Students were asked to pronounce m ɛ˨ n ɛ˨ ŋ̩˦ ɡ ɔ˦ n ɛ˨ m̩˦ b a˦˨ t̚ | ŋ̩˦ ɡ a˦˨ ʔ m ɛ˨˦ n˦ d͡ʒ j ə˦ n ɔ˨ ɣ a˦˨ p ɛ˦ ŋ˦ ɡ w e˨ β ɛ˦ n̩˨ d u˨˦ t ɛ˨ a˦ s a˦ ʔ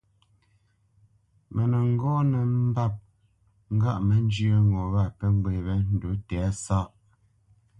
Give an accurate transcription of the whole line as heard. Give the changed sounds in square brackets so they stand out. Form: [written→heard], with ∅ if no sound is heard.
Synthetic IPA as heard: m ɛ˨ n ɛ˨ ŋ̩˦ ɡ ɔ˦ n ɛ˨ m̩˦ b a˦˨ [t̚→p̚] | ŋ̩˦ ɡ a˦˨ ʔ m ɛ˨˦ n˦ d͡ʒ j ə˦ [n→ŋ] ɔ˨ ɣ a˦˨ p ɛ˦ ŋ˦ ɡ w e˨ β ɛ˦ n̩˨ d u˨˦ t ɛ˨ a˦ s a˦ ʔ